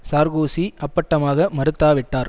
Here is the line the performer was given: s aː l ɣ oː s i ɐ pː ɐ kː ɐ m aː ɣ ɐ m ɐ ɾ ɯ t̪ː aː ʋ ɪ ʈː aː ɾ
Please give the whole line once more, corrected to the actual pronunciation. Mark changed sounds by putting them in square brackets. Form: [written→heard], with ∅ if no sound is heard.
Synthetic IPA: s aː [l→ɾ] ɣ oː s i ɐ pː ɐ [kː→ʈː] ɐ m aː ɣ ɐ m ɐ ɾ ɯ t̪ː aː ʋ ɪ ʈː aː ɾ